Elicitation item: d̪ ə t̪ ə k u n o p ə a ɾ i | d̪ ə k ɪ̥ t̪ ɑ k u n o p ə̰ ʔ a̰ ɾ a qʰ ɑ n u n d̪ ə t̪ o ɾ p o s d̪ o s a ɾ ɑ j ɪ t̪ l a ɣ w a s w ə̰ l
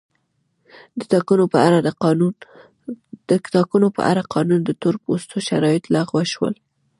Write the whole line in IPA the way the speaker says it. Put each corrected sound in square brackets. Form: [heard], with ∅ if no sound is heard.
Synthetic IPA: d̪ ə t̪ [ɑ] k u n o p ə a ɾ [a] | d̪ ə k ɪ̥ t̪ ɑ k u n o p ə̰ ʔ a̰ ɾ a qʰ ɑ n u n d̪ ə t̪ o ɾ p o s [t̪] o [ʃ] a ɾ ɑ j ɪ t̪ l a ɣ w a [ʃ] w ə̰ l

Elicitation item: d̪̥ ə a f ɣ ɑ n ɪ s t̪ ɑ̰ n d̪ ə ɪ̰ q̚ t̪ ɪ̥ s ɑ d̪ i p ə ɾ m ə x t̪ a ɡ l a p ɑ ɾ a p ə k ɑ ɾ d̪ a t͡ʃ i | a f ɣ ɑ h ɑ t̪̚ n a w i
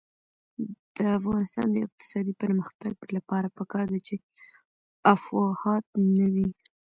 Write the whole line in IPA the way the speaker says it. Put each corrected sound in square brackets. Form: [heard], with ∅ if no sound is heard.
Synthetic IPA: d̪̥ ə a f ɣ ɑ n ɪ s t̪ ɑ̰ n d̪ ə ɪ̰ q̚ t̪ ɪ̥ s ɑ d̪ i p ə ɾ m ə x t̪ a ɡ l a p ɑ ɾ a p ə k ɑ ɾ d̪ a t͡ʃ [e] | a f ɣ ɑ h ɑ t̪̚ n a w i

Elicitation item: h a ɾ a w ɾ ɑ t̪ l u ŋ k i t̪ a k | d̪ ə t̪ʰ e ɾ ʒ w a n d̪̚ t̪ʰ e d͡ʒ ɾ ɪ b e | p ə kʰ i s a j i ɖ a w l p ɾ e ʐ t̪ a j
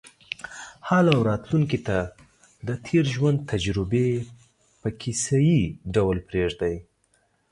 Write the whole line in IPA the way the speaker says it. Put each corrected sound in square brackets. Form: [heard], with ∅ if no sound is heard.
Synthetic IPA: h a [l] a w ɾ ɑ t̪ l u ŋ k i t̪ a [∅] | d̪ ə t̪ʰ e ɾ ʒ w a n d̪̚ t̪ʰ [a] d͡ʒ ɾ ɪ b e | p ə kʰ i s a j i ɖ a w l p ɾ e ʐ [d̪] a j

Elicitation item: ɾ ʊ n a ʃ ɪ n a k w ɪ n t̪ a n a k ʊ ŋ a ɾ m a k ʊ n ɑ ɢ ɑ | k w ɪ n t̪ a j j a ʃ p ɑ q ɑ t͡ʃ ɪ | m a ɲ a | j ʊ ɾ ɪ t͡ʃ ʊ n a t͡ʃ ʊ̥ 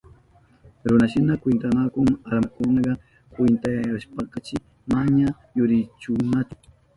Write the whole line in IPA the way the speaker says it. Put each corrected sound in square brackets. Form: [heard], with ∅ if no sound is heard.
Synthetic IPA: ɾ ʊ n a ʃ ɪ n a k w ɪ n t̪ a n a k ʊ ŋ a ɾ m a k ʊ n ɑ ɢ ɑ | k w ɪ n t̪ a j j a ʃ p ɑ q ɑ t͡ʃ ɪ | m a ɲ a | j ʊ ɾ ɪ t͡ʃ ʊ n a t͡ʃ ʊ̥

